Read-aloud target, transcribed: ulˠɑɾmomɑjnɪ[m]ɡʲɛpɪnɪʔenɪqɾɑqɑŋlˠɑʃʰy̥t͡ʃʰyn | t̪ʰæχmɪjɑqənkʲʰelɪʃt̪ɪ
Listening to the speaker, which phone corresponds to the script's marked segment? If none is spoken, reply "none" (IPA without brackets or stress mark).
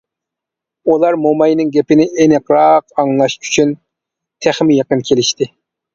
ŋ